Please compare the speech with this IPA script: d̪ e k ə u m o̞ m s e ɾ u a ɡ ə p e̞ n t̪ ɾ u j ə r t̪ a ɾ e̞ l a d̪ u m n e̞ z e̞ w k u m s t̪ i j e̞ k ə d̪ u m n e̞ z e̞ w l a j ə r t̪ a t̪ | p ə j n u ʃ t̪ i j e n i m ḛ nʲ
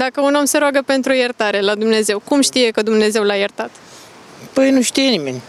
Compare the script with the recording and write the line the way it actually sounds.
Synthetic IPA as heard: d̪ a k ə u n o̞ m s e ɾ o a ɡ ə p e̞ n t̪ ɾ u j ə r t̪ a ɾ e̞ l a d̪ u m n e̞ z e̞ w k u m ʃ t̪ i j e̞ k ə d̪ u m n e̞ z e̞ w l a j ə r t̪ a t̪ | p ə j n u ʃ t̪ i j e n i m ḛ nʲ